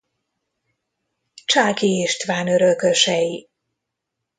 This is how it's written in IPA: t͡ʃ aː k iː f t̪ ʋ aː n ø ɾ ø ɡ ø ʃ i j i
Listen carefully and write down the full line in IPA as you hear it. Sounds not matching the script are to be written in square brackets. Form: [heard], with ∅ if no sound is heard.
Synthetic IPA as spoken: t͡ʃ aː k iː [ʃ] t̪ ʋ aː n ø ɾ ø [k] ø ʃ [ɛ] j i